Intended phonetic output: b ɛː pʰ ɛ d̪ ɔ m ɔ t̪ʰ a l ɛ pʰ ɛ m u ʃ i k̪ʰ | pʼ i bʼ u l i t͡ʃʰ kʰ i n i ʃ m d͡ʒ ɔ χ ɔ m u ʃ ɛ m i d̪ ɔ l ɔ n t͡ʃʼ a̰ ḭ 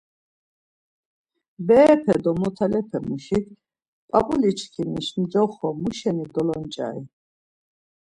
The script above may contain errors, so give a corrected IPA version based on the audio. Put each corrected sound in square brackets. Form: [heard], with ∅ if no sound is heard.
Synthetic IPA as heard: b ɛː pʰ ɛ d̪ ɔ m ɔ t̪ʰ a l ɛ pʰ ɛ m u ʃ i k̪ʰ | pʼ [a] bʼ u l i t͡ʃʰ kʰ i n i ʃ m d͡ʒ ɔ χ ɔ m u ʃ ɛ [n] i d̪ ɔ l ɔ n t͡ʃʼ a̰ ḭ